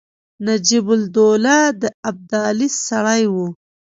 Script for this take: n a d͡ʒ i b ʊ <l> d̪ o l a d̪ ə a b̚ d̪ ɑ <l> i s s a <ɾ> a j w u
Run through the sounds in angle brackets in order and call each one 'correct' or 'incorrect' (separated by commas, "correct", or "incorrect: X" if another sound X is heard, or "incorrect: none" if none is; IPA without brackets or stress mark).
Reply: correct, correct, incorrect: ɽ